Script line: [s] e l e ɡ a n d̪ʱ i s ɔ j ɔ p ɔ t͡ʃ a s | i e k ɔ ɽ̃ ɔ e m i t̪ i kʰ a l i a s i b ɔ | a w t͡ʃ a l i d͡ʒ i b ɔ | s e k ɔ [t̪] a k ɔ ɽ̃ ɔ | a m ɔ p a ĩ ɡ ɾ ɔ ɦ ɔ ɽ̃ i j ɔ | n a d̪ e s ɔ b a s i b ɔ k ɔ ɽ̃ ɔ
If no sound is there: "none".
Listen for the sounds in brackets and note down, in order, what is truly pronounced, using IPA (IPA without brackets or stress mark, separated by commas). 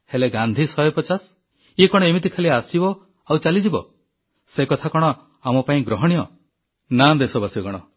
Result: h, t̪ʰ